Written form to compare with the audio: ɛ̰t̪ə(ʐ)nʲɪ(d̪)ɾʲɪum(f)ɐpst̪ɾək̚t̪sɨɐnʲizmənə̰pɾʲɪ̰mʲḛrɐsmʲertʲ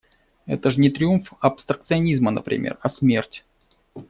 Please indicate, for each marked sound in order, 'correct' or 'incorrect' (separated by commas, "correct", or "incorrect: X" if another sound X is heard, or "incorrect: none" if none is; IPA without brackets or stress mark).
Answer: correct, incorrect: t̪, correct